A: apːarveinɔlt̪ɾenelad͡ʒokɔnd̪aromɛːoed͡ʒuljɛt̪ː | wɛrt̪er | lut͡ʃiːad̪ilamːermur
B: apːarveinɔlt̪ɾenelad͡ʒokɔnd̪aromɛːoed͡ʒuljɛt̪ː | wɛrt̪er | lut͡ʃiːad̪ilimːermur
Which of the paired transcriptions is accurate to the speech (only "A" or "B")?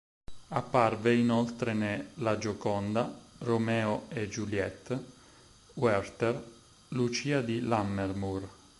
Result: A